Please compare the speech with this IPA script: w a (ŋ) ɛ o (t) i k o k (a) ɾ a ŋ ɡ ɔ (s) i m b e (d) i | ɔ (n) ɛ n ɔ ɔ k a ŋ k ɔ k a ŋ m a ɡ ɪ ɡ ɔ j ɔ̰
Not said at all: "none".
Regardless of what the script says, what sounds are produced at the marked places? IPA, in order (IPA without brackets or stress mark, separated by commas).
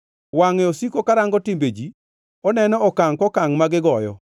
ŋ, s, a, t, d͡ʒ, n